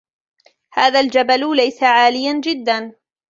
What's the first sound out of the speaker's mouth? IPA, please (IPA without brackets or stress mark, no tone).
h